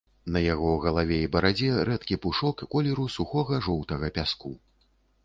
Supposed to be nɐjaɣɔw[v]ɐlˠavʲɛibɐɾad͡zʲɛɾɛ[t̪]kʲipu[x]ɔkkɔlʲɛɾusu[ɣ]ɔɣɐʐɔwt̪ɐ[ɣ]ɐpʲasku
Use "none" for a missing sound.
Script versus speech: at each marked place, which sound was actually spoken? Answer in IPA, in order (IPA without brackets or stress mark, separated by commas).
ɣ, t̪, ʂ, x, ɣ